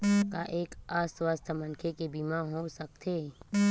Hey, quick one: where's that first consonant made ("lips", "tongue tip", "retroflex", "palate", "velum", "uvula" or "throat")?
velum